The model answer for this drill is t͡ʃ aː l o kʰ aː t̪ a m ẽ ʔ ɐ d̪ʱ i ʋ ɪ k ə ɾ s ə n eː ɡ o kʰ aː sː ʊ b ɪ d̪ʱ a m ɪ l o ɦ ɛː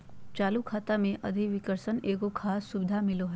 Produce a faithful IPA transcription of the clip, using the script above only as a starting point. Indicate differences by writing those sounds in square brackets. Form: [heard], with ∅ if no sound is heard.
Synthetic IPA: t͡ʃ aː l [u] kʰ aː t̪ a m ẽ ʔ ɐ d̪ʱ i ʋ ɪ k ə ɾ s ə n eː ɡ o kʰ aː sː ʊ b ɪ d̪ʱ a m ɪ l o ɦ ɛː